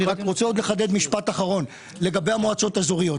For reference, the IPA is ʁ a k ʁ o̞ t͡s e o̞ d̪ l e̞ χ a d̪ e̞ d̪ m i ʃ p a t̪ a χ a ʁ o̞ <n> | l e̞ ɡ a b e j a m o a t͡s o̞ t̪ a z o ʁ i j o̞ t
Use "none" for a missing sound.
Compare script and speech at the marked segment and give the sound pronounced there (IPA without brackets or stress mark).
n